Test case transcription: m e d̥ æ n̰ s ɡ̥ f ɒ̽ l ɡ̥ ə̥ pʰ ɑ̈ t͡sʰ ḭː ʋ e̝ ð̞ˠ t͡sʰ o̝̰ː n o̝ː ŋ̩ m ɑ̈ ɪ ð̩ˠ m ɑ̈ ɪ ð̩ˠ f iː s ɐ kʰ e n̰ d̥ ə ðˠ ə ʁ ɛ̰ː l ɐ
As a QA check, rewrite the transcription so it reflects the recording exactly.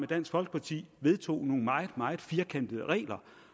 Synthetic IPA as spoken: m e d̥ æ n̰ s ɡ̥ f ɒ̽ l ɡ̥ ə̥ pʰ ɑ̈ t͡sʰ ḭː ʋ e̝ ð̞ˠ t͡sʰ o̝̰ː n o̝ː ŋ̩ m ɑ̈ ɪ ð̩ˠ m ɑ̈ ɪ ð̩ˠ f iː ɐ kʰ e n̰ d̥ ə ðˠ ə ʁ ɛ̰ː l ɐ